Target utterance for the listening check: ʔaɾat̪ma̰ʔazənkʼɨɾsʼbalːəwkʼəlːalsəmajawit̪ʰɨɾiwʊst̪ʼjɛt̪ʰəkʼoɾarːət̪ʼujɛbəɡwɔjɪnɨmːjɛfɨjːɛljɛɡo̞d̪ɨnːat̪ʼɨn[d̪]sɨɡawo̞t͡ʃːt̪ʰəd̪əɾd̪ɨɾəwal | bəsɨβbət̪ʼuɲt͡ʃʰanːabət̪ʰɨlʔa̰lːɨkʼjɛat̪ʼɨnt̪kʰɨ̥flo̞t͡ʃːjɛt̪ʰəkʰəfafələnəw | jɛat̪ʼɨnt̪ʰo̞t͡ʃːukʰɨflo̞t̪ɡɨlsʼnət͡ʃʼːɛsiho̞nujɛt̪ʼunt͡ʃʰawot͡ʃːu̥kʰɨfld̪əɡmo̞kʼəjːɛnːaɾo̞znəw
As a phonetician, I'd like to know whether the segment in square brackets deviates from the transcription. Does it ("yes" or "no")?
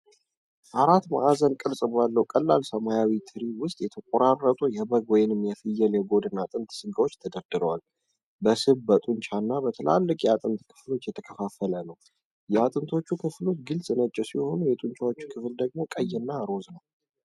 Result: yes